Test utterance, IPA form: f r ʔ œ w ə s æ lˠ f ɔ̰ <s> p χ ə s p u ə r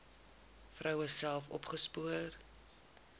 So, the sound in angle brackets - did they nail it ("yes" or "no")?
no